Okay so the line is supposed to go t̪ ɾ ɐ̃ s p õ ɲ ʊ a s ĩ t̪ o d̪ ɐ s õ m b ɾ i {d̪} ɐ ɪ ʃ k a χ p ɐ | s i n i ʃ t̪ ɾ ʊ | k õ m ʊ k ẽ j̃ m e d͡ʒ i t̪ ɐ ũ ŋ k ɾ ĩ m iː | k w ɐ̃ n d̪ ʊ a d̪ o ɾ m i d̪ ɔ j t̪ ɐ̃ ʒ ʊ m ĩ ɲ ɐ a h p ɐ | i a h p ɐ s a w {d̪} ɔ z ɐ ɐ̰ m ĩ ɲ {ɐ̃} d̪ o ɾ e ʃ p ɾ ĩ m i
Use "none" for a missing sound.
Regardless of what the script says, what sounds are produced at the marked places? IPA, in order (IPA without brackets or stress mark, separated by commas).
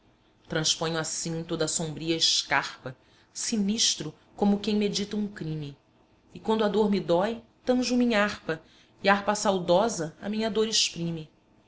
none, d̪, ɐ